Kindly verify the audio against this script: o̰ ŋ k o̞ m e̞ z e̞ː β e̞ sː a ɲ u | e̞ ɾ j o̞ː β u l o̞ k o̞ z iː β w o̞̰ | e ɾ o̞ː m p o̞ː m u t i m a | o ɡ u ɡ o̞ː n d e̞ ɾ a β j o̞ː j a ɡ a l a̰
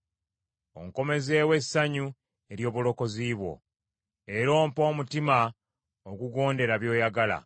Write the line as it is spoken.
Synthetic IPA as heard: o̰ ŋ k o̞ m e̞ z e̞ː w e̞ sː a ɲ u | e̞ ɾ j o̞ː β u l o̞ k o̞ z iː β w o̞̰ | e ɾ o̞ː m p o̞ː m u t i m a | o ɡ u ɡ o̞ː n d e̞ ɾ a β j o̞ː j a ɡ a l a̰